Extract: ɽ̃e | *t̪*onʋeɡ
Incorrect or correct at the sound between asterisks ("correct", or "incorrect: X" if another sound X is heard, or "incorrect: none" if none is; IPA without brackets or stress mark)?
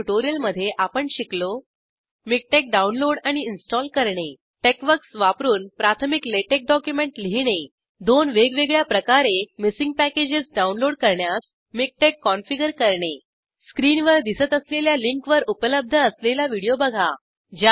incorrect: d̪